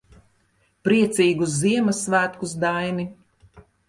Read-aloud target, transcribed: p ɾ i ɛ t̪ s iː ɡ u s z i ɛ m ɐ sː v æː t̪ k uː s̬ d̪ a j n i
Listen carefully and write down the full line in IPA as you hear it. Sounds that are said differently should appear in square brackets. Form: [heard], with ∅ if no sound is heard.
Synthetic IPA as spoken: p ɾ i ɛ t̪ s iː ɡ u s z i ɛ m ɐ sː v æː t̪ k [u] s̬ d̪ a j n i